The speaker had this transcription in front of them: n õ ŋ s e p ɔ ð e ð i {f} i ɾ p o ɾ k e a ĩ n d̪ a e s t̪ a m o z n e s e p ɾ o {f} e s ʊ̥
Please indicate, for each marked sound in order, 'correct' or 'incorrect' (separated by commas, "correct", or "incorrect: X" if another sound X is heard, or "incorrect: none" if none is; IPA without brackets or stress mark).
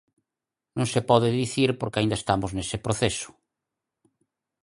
incorrect: θ, incorrect: θ